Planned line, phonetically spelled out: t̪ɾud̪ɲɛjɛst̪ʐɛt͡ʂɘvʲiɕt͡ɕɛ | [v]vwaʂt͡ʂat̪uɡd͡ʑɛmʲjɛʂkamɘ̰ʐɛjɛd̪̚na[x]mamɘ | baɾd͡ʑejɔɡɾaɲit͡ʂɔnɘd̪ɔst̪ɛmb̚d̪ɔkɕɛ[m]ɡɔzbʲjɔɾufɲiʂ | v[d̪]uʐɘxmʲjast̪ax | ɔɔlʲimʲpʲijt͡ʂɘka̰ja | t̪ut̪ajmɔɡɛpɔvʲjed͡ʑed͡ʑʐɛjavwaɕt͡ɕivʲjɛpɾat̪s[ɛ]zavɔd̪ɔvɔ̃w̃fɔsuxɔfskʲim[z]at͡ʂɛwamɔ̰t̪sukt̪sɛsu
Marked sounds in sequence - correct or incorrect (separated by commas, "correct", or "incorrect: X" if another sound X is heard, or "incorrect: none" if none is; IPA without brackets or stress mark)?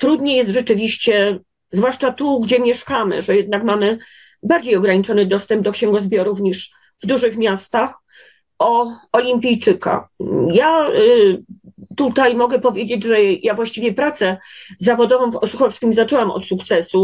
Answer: incorrect: z, incorrect: k, incorrect: ŋ, correct, correct, correct